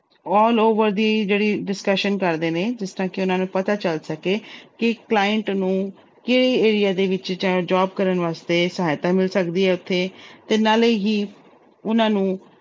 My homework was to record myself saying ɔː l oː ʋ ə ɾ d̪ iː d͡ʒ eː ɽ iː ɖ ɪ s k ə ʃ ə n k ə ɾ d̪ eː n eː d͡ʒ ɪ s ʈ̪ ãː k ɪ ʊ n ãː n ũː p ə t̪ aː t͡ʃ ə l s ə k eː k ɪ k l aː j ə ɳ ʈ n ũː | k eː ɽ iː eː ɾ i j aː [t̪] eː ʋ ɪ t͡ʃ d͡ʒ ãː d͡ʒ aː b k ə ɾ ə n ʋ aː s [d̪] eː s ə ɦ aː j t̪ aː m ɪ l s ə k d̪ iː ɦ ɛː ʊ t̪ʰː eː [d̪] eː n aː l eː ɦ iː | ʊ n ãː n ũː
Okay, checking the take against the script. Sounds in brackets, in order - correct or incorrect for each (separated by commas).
incorrect, incorrect, incorrect